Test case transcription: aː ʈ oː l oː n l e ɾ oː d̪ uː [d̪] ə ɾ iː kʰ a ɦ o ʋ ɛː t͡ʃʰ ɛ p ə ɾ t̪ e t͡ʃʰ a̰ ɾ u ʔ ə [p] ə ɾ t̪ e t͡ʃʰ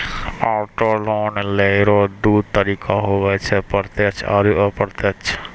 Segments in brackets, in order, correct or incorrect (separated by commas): incorrect, correct